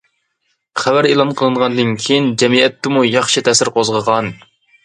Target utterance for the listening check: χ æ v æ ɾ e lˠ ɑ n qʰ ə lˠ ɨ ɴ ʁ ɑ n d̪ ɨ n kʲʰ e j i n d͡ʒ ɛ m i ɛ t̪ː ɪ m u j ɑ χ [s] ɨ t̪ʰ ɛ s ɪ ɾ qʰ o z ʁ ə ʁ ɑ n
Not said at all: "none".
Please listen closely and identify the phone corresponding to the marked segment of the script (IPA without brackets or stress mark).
ʃ